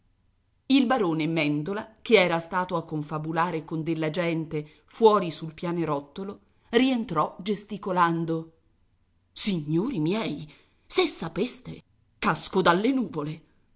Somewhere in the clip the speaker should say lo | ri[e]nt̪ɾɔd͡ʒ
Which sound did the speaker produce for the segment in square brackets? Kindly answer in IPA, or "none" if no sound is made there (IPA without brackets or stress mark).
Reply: e